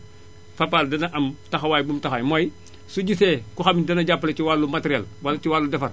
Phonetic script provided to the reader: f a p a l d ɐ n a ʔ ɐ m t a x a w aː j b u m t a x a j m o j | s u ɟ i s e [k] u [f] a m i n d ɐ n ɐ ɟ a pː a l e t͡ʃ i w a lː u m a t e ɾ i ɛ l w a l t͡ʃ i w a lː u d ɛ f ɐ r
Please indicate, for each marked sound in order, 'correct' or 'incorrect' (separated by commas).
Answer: correct, incorrect